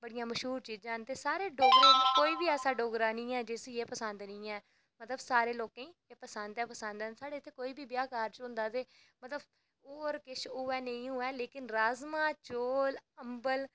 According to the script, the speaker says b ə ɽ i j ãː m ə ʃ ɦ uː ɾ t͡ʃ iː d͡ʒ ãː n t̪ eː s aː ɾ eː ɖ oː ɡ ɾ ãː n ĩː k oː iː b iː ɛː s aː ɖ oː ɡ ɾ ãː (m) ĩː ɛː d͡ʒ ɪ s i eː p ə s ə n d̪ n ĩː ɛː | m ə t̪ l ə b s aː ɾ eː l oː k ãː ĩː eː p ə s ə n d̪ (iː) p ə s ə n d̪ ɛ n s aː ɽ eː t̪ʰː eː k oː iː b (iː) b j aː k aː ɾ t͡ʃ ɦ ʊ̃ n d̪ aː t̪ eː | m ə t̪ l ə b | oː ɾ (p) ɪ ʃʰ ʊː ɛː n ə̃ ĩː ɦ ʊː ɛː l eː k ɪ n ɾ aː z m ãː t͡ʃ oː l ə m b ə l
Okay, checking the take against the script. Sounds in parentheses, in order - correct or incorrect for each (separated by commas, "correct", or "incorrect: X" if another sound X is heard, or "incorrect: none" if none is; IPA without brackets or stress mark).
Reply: incorrect: n, incorrect: ɛː, correct, incorrect: k